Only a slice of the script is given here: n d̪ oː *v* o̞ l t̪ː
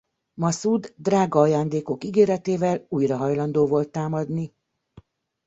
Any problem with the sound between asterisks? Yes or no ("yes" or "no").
no